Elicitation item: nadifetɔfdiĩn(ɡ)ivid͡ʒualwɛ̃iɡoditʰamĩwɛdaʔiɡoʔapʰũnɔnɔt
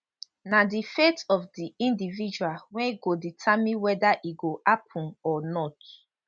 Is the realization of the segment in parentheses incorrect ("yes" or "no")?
yes